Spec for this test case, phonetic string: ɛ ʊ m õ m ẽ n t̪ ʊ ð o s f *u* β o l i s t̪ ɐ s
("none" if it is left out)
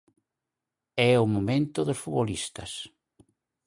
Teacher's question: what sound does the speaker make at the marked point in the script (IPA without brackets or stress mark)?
u